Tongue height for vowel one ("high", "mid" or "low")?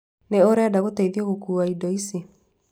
mid